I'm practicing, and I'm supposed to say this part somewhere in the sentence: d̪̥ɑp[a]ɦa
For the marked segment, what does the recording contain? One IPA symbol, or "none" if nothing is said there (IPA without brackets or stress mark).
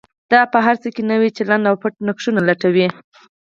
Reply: ə